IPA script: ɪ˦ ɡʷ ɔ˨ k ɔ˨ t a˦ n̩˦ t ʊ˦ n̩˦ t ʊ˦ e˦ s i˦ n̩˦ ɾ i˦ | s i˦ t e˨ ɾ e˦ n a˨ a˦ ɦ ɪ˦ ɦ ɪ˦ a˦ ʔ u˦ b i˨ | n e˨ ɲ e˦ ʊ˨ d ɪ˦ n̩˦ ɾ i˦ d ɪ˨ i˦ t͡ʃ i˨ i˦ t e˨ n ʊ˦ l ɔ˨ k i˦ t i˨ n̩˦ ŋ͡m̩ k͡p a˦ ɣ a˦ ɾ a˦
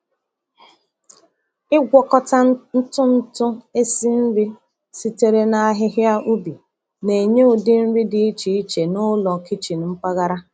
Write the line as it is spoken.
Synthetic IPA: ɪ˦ ɡʷ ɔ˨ k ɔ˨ t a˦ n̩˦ t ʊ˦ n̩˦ t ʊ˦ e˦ s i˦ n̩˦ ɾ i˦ | s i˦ t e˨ ɾ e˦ n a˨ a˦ ɦ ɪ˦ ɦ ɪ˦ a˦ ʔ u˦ b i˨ | n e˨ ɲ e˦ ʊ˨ d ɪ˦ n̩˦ ɾ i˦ d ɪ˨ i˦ t͡ʃ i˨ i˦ t͡ʃ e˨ n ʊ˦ l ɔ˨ k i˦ t͡ʃ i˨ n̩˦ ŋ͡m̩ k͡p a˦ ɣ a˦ ɾ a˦